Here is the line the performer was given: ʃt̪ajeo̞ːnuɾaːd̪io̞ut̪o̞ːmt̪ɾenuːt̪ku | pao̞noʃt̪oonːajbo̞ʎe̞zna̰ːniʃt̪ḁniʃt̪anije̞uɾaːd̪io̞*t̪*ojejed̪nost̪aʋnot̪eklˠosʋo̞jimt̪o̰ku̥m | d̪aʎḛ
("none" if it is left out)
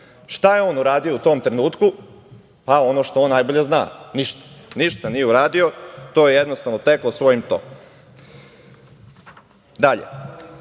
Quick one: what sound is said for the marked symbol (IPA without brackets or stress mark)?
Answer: t̪